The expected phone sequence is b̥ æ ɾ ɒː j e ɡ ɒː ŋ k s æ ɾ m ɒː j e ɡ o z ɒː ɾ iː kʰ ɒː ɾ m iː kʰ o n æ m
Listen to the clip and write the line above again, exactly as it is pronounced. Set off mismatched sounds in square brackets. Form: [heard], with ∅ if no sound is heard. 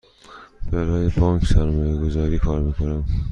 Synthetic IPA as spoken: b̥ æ ɾ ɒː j e [b] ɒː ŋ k s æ ɾ m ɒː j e ɡ o z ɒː ɾ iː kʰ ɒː ɾ m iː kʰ o n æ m